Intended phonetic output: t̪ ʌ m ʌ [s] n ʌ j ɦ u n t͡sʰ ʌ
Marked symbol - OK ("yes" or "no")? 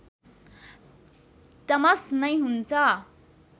yes